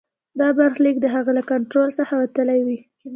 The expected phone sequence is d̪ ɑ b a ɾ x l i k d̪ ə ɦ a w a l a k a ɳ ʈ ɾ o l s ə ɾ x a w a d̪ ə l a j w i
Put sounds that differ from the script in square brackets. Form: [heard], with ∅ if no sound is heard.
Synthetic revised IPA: d̪ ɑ b a ɾ x l i k d̪ ə ɦ a [ɣ] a l a k a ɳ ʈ ɾ o l s ə [∅] x a w a [t̪] ə l a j w i